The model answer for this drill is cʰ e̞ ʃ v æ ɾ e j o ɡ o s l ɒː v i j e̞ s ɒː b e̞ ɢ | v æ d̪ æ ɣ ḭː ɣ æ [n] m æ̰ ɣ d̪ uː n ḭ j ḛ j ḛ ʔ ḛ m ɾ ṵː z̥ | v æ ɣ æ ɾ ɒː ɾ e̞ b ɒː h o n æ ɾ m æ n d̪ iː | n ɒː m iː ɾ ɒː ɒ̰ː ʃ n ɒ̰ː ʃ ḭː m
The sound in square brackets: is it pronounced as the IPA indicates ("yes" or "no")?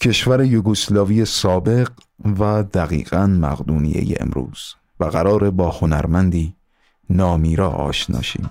yes